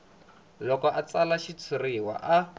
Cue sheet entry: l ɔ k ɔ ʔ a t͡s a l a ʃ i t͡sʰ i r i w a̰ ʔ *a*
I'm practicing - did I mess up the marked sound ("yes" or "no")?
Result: no